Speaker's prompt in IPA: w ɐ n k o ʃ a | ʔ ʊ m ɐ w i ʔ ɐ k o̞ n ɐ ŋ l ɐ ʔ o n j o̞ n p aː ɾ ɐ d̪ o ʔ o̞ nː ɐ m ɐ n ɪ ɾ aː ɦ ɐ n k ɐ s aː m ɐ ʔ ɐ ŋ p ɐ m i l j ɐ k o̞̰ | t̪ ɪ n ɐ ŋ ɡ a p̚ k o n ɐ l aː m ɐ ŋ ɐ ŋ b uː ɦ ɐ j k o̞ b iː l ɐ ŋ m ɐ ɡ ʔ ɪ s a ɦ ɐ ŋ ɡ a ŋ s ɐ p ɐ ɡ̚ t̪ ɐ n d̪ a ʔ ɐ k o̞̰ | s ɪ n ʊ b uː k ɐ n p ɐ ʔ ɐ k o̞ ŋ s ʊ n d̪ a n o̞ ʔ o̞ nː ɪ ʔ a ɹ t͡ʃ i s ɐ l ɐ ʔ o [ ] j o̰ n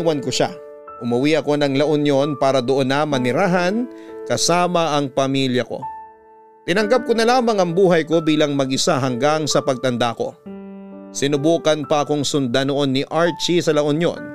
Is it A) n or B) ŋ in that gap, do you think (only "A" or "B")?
A